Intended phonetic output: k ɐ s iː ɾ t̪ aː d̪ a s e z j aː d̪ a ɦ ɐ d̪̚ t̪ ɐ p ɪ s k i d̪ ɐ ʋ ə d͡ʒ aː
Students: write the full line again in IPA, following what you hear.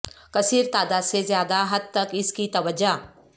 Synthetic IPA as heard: k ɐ s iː ɾ t̪ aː d̪ a s e z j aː d̪ a ɦ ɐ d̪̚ t̪ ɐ k ɪ s k i t̪ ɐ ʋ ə d͡ʒ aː

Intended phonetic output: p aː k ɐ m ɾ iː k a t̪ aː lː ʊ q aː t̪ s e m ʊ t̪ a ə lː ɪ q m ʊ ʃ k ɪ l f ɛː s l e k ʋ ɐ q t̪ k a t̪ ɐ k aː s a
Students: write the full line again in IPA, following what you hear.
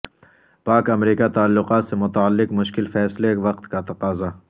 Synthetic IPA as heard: p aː k ɐ m ɾ iː k a t̪ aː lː ʊ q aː t̪ s e m ʊ t̪ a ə lː ɪ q m ʊ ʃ k ɪ l f ɛː s l e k ʋ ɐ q t̪ k a t̪ ɐ q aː z a

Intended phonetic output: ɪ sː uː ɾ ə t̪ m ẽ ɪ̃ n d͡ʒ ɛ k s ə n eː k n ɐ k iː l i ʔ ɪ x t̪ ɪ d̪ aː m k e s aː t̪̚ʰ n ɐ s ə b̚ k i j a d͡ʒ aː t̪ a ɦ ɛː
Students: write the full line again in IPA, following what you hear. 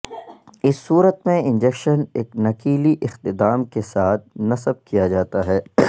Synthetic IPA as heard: ɪ sː uː ɾ ə t̪ m ẽ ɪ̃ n d͡ʒ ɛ k ʃ ə n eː k n ɐ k iː l i ʔ ɪ x t̪ ɪ d̪ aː m k e s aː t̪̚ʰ n ɐ s ə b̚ k i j a d͡ʒ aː t̪ a ɦ ɛː

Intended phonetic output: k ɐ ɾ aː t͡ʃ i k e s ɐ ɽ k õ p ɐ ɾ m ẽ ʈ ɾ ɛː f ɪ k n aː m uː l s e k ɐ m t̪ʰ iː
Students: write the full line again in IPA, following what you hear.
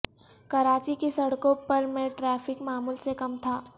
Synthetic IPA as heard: k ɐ ɾ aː t͡ʃ i k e s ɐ ɽ k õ p ɐ ɾ m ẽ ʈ ɾ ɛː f ɪ k m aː m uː l s e k ɐ m t̪ʰ aː

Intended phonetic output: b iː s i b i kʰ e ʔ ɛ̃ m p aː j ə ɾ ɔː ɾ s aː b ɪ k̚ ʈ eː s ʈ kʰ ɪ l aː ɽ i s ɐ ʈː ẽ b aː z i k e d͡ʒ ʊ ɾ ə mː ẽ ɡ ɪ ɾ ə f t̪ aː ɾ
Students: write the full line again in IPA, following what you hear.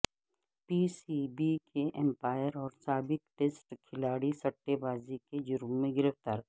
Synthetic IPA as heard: p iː s i b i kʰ e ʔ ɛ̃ m p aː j ə ɾ ɔː ɾ s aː b ɪ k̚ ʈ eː s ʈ kʰ ɪ l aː ɽ i s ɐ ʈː e b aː z i k e d͡ʒ ʊ ɾ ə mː ẽ ɡ ɪ ɾ ə f t̪ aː ɾ

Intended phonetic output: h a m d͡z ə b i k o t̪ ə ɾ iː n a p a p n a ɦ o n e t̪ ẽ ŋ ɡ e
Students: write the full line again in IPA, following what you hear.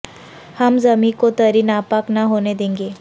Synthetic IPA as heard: h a m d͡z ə m i k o t̪ ə ɾ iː n a p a k n a ɦ o n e d̪ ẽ ŋ ɡ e

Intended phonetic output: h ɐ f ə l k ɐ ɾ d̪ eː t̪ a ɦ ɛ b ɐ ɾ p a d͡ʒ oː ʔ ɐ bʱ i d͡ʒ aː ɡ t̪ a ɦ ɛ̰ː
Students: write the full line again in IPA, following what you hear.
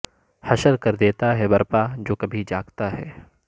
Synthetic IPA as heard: h ɐ ʃ ə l k ɐ ɾ d̪ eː t̪ a ɦ ɛ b ɐ ɾ p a d͡ʒ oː k ɐ bʱ i d͡ʒ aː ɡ t̪ a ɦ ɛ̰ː

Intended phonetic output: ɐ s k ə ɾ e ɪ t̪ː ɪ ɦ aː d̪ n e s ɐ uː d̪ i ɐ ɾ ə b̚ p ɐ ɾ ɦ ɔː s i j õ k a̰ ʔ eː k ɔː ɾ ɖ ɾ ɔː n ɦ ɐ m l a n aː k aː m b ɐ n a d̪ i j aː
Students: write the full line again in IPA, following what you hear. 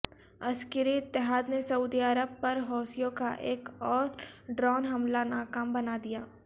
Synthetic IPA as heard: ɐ s k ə ɾ i ɪ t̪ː ɪ ɦ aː d̪ n e s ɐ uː d̪ i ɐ ɾ ə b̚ p ɐ ɾ ɦ ɔː s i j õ k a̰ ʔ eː k ɔː ɾ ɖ ɾ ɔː n ɦ ɐ m l a n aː k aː m b ɐ n a d̪ i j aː

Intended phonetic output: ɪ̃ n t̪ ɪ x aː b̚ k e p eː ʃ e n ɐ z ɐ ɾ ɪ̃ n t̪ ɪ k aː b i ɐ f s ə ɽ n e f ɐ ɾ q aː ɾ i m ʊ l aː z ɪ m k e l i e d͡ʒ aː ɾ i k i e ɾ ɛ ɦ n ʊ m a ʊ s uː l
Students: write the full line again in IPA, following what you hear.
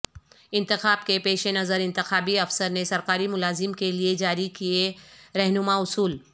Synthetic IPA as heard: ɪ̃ n t̪ ɪ x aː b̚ k e p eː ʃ e n ɐ z ə ɾ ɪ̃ n t̪ ɪ x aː b i ɐ f s ə ɾ n e s ɐ ɾ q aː ɾ i m ʊ l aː z ɪ m k e l i e d͡ʒ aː ɾ i k i e ɾ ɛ ɦ n ʊ m a ʊ s uː l

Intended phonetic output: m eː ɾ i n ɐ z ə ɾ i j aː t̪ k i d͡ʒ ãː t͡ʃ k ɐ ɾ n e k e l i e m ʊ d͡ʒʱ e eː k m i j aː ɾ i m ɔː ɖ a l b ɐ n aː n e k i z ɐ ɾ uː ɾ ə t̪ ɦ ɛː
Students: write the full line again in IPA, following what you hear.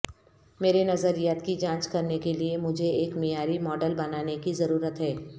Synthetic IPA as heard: m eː ɾ e n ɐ z ə ɾ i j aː t̪ k i d͡ʒ ãː t͡ʃ k ɐ ɾ n e k e l i e m ʊ d͡ʒʱ e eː k m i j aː ɾ i m ɔː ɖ ə l b ɐ n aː n e k i z ɐ ɾ uː ɾ ə t̪ ɦ ɛː

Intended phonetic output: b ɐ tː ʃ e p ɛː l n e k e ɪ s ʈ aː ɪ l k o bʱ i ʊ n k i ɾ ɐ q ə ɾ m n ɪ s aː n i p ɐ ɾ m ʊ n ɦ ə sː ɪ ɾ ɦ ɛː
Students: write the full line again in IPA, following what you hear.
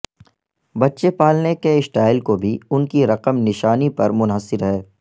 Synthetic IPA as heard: b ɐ tː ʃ e p aː l n e k e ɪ s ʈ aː ɪ l k o bʱ i ʊ n k i ɾ ɐ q ə m n ɪ ʃ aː n i p ɐ ɾ m ʊ n ɦ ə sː ɪ ɾ ɦ ɛː

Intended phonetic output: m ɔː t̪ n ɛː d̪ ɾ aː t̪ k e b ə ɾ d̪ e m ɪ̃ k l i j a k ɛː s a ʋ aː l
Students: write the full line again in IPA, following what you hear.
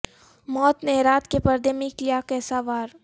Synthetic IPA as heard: m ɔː t̪ n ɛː ɾ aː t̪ k e p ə ɾ d̪ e m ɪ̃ k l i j a k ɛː s a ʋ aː ɾ

